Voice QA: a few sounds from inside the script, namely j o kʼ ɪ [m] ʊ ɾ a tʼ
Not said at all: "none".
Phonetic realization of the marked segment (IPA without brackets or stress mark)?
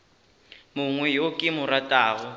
m